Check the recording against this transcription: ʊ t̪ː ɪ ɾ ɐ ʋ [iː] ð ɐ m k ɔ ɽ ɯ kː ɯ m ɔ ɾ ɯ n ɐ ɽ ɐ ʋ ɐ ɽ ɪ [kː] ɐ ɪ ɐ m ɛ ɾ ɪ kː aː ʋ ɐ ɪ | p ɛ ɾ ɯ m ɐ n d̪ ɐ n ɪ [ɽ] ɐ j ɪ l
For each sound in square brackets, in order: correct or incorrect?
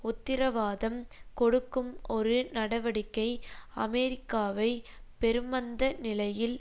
incorrect: aː, correct, incorrect: l

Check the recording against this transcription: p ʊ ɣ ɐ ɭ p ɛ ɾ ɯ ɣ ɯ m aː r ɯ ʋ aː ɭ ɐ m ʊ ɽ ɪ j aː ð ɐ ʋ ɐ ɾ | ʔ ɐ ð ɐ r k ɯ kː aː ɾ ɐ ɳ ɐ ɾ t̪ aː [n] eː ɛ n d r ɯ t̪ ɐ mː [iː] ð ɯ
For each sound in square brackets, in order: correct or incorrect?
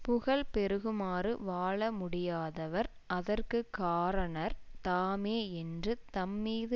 incorrect: m, correct

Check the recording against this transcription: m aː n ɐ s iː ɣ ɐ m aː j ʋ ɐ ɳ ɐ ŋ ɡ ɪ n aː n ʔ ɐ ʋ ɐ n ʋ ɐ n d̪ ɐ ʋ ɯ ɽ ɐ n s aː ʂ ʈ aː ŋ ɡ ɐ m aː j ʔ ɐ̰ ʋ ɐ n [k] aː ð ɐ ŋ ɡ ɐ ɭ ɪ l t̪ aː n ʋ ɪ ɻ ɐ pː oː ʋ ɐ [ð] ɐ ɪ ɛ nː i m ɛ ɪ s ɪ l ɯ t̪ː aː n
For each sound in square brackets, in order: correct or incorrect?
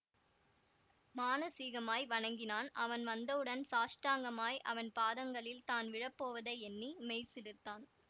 incorrect: p, correct

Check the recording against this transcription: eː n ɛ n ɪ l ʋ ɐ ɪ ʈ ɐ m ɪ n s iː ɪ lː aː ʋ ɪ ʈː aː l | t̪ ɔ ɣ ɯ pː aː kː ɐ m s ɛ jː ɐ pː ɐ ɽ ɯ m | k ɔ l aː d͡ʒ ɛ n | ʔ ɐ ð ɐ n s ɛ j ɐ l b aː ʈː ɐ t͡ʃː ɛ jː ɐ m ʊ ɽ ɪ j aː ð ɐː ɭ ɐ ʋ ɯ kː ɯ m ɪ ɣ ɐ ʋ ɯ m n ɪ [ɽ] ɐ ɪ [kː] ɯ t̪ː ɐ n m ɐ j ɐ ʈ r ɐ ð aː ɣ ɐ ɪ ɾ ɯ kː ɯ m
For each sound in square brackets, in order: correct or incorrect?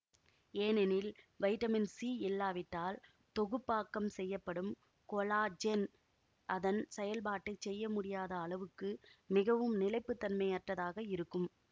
incorrect: l, incorrect: pː

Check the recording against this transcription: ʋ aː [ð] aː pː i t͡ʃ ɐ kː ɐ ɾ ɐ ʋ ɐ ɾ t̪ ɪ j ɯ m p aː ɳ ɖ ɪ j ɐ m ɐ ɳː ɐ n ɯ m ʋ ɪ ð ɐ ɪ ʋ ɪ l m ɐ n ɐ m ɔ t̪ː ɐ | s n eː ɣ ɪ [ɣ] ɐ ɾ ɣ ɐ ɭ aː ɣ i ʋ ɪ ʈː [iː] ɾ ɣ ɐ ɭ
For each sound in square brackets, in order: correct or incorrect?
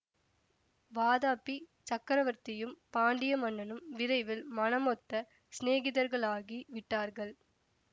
correct, incorrect: ð, incorrect: aː

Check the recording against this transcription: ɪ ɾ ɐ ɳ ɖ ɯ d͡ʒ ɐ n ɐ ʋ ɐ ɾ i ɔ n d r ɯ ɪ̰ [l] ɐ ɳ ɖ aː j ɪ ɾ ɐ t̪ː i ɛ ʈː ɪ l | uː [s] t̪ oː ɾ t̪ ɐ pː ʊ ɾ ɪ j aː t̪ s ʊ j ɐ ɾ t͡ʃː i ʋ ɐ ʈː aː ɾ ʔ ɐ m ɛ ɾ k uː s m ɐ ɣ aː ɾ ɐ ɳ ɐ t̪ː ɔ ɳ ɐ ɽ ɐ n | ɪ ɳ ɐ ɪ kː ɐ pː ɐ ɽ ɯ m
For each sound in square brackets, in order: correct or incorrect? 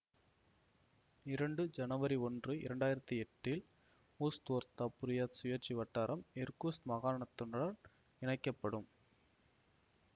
incorrect: ɾ, correct

